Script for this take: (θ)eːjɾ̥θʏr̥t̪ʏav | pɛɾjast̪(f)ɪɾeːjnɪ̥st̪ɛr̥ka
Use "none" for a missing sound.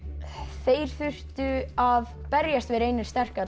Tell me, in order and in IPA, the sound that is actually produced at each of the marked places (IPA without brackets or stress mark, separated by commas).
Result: θ, v